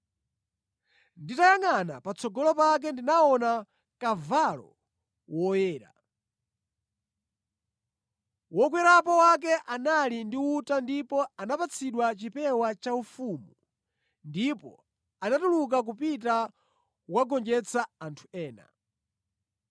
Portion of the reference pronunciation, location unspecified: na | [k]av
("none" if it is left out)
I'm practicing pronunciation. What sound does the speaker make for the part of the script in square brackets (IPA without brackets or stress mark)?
k